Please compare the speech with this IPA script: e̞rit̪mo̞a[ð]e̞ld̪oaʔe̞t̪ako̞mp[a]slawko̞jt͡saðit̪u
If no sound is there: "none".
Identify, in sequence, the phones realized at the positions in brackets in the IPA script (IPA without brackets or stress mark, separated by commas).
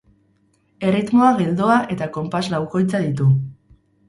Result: ɣ, a